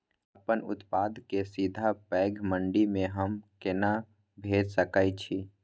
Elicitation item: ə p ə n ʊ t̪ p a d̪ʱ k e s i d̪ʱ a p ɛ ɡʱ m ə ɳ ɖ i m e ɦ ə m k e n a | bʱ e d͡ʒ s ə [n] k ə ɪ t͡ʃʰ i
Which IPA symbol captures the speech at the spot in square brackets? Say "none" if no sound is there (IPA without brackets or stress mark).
none